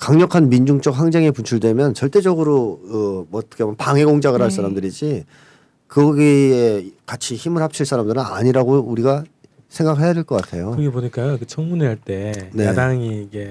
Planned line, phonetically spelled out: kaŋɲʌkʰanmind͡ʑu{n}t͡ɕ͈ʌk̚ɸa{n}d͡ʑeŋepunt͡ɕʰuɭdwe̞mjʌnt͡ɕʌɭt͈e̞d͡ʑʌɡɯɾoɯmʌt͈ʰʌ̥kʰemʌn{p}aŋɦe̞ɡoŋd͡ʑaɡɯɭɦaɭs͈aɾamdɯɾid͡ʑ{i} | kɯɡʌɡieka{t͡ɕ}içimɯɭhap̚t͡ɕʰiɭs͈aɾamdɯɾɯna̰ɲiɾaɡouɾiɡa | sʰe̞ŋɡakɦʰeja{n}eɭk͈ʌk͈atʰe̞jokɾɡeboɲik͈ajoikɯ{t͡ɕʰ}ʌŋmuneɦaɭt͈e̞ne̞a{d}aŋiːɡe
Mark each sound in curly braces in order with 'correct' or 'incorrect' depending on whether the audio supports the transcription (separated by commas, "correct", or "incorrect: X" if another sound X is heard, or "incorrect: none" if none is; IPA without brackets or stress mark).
incorrect: ŋ, incorrect: ŋ, correct, correct, incorrect: t͡ɕʰ, incorrect: d, correct, correct